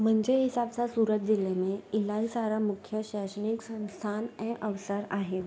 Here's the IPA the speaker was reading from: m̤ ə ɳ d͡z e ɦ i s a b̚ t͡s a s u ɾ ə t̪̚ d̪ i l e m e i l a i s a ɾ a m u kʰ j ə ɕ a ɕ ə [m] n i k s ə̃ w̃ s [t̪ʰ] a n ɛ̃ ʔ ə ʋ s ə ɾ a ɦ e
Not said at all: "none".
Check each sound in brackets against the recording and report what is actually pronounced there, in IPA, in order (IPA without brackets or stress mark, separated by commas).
none, t̪ʰ